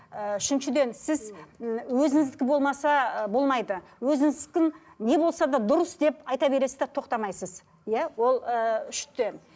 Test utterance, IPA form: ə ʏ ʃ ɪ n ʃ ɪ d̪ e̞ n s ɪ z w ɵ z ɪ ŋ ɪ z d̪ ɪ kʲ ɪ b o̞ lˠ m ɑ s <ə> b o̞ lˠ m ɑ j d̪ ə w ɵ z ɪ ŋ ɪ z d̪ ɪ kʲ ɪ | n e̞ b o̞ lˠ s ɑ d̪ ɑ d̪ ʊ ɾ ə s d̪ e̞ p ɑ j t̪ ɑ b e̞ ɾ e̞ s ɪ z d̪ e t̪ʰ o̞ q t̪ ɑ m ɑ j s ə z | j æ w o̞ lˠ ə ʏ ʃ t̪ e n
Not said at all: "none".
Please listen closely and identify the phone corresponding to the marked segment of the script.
ɑ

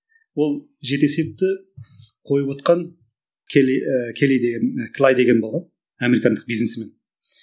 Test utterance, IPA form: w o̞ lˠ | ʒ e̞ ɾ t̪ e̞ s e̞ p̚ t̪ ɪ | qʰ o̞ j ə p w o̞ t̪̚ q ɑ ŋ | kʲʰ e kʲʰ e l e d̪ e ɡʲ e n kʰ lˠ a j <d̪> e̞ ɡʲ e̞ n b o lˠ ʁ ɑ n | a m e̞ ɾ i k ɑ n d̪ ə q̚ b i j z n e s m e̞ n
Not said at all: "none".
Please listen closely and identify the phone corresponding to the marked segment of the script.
d̪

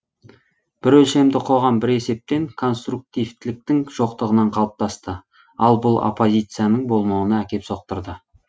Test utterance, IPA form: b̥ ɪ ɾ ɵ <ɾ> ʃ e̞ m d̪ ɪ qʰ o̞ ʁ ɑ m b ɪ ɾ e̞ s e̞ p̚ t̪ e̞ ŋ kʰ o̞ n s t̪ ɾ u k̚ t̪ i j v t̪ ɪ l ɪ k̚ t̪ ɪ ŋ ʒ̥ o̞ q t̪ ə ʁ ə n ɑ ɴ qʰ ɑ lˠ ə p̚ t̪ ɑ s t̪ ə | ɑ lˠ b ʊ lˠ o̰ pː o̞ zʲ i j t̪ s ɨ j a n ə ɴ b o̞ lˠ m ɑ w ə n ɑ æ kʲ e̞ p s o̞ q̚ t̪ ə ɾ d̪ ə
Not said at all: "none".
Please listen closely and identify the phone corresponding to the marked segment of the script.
l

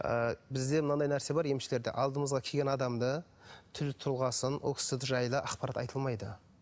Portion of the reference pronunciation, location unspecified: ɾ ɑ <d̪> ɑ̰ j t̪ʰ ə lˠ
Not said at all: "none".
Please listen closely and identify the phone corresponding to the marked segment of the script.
t̪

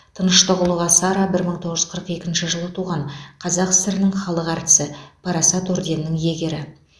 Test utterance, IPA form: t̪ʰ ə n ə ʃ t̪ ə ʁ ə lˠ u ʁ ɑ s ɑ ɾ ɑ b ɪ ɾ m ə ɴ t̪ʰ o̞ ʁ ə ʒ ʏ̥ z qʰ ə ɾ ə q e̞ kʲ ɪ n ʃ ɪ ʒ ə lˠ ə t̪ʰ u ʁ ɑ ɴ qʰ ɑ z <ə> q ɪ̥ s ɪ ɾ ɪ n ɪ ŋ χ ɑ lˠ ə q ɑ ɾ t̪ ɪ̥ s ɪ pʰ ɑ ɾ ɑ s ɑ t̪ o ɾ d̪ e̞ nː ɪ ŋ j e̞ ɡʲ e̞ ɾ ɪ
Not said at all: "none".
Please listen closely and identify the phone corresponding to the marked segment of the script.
ɑ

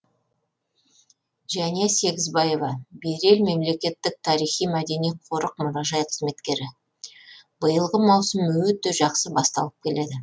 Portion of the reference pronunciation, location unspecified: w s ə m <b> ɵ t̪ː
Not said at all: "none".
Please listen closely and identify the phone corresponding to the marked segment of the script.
w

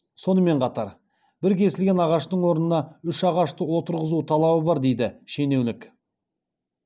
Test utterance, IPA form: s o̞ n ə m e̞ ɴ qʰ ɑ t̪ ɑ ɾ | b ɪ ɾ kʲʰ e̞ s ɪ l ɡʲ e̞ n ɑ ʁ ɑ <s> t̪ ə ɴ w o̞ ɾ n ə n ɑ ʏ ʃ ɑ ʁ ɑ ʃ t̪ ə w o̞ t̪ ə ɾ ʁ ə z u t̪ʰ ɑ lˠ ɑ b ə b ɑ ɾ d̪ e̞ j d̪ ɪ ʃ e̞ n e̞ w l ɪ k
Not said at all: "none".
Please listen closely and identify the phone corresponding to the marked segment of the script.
ʃ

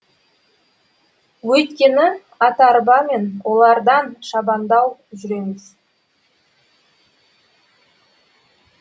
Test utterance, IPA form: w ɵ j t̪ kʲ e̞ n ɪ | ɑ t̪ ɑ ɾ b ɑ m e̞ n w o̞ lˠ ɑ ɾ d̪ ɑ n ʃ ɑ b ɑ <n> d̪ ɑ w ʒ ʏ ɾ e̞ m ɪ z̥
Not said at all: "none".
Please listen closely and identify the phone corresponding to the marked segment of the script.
n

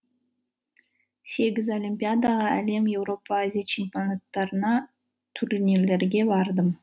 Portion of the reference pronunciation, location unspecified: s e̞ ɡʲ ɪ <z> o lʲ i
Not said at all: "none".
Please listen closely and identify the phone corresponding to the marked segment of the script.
z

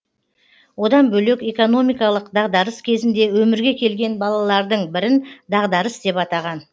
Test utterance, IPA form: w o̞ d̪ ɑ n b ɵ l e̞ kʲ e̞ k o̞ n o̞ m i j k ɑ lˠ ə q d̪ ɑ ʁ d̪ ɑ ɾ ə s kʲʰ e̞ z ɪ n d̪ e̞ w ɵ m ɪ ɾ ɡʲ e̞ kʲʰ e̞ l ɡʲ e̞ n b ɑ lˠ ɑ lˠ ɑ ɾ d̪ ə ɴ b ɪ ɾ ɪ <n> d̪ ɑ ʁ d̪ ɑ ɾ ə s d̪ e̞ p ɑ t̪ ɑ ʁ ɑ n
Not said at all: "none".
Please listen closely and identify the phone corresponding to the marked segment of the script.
n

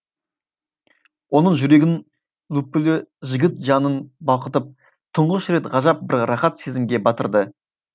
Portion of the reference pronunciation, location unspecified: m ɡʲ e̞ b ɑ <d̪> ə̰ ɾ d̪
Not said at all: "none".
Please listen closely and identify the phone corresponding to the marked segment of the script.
t̪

